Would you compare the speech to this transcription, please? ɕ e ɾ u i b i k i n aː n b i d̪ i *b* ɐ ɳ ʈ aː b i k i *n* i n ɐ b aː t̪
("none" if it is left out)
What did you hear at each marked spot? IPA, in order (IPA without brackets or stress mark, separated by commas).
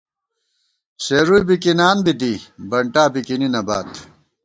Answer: b, n